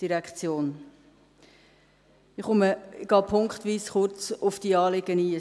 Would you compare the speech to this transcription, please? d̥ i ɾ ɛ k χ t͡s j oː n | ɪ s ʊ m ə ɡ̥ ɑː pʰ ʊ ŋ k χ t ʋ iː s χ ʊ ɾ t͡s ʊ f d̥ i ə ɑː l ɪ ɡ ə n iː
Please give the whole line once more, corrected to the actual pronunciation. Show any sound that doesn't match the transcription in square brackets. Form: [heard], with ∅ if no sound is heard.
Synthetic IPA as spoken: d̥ i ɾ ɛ k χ t͡s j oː n | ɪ [χ] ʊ m ə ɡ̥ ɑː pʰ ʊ ŋ k χ t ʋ iː s χ ʊ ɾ t͡s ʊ f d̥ i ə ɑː l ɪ ɡ ə n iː